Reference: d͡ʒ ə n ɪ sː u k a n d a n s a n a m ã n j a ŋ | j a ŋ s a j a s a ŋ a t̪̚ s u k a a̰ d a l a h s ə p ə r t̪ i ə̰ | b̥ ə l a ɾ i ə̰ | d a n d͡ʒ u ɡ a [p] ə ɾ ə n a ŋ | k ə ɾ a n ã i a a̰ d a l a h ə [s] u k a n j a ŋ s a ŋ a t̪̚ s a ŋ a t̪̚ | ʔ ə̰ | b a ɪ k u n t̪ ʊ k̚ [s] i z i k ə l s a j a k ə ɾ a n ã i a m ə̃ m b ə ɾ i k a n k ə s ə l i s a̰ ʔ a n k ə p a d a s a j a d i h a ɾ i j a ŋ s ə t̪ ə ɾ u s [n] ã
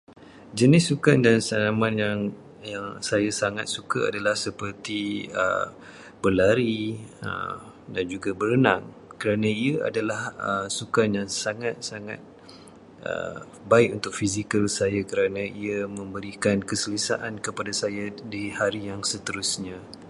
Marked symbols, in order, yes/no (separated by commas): no, yes, no, no